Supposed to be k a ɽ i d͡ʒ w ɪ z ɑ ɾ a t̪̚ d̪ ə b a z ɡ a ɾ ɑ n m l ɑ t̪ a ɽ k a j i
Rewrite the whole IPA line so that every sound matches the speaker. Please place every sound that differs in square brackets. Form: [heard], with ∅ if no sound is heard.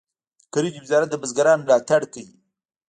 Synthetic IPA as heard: k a [ɾ] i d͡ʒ w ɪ z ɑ ɾ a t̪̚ d̪ ə b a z ɡ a ɾ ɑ n m l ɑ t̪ a ɽ k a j i